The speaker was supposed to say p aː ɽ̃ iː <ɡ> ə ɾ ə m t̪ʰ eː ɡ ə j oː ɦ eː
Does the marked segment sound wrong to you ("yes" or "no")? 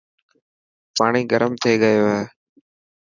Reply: no